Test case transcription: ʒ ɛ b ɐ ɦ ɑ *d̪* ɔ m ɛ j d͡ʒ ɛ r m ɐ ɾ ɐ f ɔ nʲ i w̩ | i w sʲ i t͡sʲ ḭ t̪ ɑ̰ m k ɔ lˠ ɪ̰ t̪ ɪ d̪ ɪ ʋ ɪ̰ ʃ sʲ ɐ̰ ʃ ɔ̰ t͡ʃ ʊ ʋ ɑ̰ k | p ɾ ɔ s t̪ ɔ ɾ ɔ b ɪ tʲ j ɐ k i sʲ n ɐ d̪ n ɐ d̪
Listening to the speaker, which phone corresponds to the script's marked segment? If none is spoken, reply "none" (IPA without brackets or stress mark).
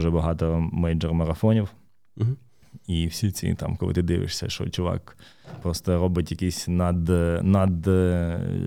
t̪